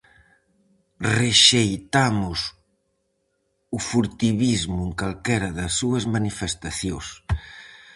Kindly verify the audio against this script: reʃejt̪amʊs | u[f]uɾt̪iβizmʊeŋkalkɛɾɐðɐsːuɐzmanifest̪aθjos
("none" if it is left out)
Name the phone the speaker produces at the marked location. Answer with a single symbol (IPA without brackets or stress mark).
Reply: f